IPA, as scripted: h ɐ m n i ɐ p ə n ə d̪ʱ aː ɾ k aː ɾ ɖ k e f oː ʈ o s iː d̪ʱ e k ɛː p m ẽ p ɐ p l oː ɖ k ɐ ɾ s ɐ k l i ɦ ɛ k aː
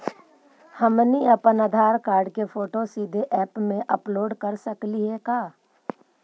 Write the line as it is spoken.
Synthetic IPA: h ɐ m n i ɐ p ə n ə d̪ʱ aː ɾ k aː ɾ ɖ k e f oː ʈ o s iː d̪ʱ e ʔ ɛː p m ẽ ʔ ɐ p l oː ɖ k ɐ ɾ s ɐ k l i ɦ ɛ k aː